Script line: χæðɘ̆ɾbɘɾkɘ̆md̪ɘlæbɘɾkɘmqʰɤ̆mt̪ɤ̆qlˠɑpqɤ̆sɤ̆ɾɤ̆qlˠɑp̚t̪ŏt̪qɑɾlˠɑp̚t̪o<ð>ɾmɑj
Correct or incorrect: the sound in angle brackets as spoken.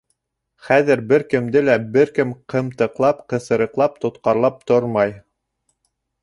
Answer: incorrect: none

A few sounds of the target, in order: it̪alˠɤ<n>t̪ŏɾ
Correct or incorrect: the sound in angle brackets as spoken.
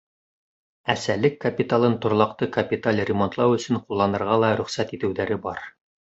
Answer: correct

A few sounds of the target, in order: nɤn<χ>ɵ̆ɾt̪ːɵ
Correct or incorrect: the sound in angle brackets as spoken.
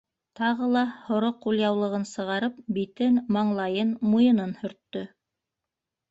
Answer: incorrect: h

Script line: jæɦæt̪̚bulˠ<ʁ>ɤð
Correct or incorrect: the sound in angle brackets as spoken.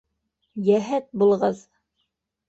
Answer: correct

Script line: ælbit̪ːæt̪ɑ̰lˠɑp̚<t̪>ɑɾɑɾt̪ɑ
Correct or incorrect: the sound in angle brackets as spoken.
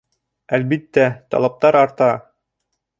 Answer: correct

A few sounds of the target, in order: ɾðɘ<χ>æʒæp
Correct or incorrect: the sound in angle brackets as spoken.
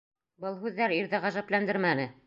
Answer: incorrect: ʁ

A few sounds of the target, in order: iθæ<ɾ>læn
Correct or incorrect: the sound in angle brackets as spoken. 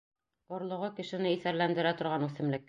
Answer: correct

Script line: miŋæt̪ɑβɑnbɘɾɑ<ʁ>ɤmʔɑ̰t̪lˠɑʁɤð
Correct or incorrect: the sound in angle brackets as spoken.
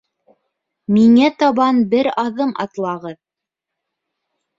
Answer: incorrect: ð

